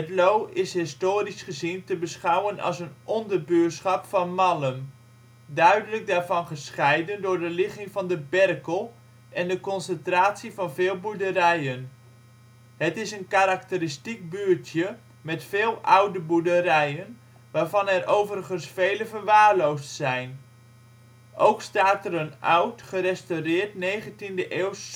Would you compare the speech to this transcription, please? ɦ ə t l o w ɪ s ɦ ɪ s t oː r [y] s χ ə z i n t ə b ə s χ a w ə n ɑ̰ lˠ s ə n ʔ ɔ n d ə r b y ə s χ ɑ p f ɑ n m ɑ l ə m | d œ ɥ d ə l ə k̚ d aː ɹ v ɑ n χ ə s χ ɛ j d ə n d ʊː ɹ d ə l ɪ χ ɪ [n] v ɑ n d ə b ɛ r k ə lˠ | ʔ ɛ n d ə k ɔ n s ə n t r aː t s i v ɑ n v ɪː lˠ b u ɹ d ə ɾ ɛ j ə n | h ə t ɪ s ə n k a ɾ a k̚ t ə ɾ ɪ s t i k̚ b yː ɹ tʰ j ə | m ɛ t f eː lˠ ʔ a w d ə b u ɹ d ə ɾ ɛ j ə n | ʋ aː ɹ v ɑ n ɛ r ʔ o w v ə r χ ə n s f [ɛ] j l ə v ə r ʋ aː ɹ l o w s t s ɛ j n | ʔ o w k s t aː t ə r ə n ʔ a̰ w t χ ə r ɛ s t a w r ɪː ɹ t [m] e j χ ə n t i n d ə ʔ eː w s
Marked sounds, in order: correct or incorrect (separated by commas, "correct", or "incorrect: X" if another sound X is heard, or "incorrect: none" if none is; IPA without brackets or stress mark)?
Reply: incorrect: i, incorrect: ŋ, incorrect: e, incorrect: n